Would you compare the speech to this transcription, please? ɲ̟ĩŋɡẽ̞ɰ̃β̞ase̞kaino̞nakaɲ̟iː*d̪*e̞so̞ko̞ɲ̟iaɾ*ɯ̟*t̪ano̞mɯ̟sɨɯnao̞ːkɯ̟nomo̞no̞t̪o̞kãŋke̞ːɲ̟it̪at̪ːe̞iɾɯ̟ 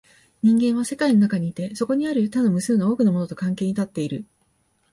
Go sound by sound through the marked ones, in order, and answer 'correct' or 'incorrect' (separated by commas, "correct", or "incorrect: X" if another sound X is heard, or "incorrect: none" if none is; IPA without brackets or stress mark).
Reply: incorrect: t̪, correct